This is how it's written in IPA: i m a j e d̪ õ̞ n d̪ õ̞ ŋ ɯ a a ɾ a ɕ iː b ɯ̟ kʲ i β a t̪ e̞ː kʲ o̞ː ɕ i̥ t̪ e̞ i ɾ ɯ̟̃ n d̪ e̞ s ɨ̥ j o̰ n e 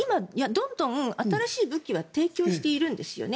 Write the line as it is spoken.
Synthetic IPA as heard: i m a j a d̪ õ̞ n d̪ õ̞ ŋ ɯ a a ɾ a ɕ iː b ɯ̟ kʲ i β a t̪ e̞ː kʲ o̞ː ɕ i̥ t̪ e̞ i ɾ ɯ̟̃ n d̪ e̞ s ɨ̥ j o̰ n e